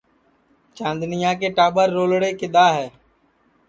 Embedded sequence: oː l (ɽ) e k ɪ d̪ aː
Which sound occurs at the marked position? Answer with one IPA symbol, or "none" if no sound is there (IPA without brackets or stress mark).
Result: ɽ